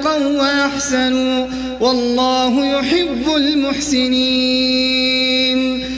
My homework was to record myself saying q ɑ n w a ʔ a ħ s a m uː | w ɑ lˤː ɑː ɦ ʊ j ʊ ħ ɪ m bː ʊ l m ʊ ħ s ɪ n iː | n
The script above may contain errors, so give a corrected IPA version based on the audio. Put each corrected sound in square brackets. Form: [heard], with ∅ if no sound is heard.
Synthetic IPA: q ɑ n w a ʔ a ħ s a [n] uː | w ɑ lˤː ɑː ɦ ʊ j ʊ ħ ɪ [∅] bː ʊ l m ʊ ħ s ɪ n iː | n